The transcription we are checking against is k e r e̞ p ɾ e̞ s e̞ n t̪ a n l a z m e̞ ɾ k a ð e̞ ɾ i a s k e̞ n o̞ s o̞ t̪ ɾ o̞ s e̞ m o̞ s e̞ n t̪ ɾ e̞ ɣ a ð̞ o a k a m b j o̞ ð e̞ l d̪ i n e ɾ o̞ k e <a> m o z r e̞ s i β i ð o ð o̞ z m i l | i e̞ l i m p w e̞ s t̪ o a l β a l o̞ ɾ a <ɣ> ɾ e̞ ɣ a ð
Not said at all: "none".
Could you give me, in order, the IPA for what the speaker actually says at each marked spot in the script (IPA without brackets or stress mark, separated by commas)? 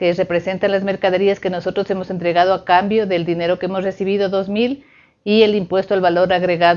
e, ɣ